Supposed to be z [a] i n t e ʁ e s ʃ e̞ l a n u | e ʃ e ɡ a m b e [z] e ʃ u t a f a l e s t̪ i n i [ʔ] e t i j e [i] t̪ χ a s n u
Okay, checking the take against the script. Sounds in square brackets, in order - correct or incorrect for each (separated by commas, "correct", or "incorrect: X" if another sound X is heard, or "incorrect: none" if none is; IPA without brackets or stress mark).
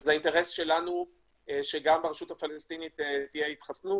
correct, incorrect: ʁ, incorrect: t, correct